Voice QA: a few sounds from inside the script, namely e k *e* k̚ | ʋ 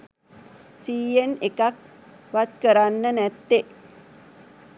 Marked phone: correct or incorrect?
incorrect